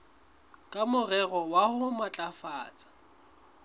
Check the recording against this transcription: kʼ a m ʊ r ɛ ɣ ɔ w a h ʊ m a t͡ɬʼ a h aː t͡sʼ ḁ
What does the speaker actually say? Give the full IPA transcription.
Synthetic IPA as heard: kʼ a m ʊ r ɛ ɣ ɔ w a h ʊ m a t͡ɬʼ a f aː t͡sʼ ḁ

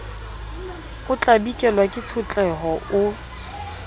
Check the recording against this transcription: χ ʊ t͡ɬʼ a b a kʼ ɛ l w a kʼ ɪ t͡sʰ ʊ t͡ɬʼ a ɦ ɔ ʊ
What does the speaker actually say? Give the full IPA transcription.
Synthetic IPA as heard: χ ʊ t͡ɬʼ a b i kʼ ɛ l w a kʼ ɪ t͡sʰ ʊ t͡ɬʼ ɛ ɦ ɔ ʊ

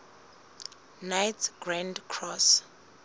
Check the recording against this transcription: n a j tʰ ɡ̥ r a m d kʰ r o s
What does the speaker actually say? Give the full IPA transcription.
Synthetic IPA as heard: n a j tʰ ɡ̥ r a n d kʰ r ɔ s

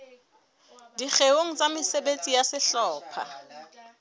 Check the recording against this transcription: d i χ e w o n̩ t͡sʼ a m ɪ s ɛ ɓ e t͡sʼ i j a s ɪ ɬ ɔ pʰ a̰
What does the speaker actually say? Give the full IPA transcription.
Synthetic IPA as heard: d i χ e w o ŋ̩ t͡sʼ a m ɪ s ɛ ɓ e t͡sʼ i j a s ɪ ɬ ɔː pʰ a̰

